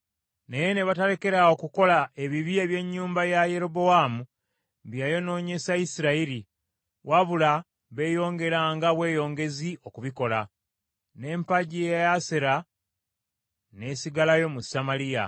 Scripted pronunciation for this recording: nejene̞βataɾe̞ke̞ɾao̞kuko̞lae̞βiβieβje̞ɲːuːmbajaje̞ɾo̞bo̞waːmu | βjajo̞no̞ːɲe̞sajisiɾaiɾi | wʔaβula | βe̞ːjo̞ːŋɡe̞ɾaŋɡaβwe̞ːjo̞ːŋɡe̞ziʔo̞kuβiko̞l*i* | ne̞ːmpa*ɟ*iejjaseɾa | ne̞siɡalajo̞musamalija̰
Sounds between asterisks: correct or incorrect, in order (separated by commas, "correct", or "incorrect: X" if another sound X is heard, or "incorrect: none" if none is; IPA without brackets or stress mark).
incorrect: a, correct